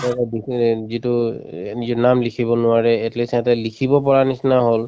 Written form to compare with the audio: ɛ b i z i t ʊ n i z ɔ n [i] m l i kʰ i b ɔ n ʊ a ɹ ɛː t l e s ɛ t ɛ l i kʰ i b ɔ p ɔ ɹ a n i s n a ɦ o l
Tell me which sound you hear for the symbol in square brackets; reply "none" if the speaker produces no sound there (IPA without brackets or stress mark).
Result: a